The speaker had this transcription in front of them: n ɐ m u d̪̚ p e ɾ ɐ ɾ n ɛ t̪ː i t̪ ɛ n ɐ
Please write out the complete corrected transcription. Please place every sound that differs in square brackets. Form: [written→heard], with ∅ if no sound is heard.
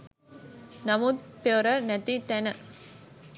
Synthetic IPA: n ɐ m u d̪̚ p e ɾ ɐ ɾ n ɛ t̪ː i t̪ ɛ n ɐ